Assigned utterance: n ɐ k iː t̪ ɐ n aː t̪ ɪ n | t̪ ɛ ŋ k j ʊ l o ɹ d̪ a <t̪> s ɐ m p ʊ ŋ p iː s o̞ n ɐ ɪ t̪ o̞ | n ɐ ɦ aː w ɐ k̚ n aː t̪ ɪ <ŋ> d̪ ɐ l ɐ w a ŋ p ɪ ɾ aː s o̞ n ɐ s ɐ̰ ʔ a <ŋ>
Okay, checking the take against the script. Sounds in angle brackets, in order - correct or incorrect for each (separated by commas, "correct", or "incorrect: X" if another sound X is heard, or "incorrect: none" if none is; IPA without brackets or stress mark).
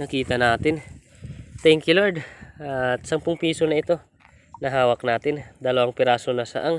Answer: correct, incorrect: n, correct